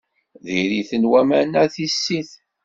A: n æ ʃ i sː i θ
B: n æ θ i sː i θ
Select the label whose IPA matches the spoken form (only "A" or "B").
B